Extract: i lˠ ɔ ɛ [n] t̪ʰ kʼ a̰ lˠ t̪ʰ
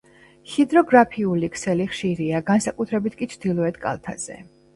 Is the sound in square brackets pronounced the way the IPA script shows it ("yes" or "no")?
no